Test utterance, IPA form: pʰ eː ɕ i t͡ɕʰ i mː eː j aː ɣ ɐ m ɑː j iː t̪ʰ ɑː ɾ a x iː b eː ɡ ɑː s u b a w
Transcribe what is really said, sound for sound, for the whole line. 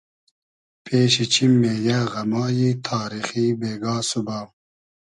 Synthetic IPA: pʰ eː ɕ i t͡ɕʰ i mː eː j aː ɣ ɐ m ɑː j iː t̪ʰ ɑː ɾ i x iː b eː ɡ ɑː s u b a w